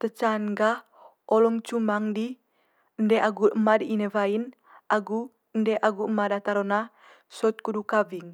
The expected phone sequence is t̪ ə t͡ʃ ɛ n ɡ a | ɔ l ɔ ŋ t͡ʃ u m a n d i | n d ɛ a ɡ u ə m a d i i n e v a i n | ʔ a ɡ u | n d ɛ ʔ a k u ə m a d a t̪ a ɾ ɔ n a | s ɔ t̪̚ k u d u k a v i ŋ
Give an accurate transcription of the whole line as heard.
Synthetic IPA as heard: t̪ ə t͡ʃ a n ɡ a | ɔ l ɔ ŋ t͡ʃ u m a ŋ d i | n d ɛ a ɡ u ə m a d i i n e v a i n | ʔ a ɡ u | n d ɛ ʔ a ɡ u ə m a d a t̪ a ɾ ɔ n a | s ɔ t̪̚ k u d u k a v i ŋ